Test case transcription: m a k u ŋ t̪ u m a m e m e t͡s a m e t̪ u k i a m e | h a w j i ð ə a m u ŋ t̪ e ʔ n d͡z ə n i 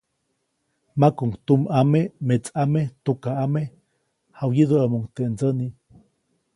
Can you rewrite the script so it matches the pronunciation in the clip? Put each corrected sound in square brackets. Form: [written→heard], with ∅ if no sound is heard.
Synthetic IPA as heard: m a k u ŋ t̪ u m a m e m e t͡s a m e t̪ u k [i→a] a m e | h a w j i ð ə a m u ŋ t̪ e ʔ n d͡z ə n i